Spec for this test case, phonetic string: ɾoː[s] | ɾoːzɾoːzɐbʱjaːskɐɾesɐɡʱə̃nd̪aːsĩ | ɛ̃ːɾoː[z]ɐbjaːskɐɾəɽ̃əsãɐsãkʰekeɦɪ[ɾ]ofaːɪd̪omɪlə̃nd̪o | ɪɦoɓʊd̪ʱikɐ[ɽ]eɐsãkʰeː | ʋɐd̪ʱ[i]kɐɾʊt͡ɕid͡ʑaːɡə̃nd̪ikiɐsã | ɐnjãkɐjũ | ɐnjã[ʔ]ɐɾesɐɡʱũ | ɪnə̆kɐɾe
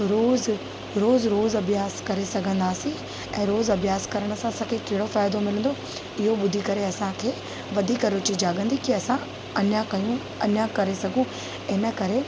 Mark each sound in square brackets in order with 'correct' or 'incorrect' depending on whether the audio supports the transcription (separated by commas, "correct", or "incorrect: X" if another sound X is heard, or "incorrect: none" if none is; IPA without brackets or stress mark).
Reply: incorrect: z, correct, incorrect: ɽ, incorrect: ɾ, incorrect: iː, incorrect: k